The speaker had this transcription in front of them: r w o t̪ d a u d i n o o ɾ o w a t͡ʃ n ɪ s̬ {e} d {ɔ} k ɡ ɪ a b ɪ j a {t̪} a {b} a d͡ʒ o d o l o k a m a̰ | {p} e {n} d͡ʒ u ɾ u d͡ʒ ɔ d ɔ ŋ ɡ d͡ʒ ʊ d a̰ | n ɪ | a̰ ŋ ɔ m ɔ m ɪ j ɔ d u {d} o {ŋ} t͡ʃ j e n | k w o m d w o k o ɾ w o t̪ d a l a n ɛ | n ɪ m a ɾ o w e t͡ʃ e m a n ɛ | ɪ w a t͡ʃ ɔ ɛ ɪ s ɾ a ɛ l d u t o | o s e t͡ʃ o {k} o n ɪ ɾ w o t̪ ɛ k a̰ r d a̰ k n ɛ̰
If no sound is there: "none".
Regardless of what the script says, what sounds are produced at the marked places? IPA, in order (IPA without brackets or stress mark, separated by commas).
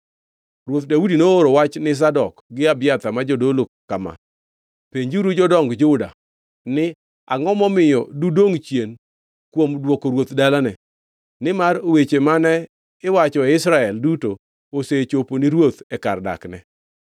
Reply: a, ɔ, t̪, m, p, ɲ, d, ŋ, p